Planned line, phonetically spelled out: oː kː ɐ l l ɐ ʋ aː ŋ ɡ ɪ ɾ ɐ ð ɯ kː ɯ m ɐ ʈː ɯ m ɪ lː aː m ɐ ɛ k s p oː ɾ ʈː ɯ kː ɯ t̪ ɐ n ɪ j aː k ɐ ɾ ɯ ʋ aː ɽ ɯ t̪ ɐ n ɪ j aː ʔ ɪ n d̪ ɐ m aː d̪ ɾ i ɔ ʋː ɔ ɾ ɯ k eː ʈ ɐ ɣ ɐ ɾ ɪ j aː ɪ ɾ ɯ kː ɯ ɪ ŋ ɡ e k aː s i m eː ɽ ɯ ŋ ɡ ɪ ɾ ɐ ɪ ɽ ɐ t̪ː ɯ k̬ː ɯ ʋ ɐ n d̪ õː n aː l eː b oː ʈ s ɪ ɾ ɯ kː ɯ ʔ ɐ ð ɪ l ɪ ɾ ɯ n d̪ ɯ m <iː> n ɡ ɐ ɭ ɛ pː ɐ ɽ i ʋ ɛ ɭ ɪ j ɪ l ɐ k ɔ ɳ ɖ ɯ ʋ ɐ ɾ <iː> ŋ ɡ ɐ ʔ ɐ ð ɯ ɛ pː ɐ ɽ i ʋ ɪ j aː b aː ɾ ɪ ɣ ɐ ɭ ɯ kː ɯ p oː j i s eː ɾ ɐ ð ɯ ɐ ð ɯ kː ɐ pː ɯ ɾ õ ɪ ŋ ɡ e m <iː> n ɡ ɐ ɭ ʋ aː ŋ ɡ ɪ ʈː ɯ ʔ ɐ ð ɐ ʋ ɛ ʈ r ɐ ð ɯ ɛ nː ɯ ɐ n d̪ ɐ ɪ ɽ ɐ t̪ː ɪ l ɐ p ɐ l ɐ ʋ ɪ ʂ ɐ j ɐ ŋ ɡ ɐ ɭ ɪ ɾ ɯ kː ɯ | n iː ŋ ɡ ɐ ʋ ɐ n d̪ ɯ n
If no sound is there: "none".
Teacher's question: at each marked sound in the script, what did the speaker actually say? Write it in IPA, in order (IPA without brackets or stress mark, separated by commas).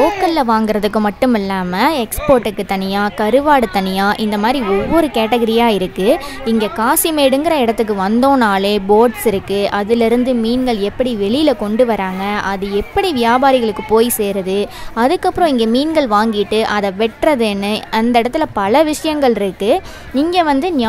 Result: iː, aː, iː